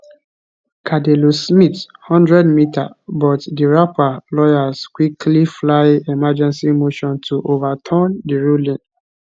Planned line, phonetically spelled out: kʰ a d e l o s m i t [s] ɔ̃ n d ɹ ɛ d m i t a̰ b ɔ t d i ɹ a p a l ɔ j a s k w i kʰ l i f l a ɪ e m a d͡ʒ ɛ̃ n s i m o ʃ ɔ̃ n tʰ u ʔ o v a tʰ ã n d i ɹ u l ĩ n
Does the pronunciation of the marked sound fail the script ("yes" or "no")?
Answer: yes